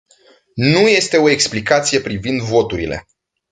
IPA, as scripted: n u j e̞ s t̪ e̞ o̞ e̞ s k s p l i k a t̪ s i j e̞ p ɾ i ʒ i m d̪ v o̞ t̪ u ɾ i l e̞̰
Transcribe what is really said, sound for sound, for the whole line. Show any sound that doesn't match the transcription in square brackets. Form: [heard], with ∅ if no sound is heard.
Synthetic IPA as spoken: n u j e̞ s t̪ e̞ o̞ e̞ [∅] k s p l i k a t̪ s i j e̞ p ɾ i [v] i [n] d̪ v o̞ t̪ u ɾ i l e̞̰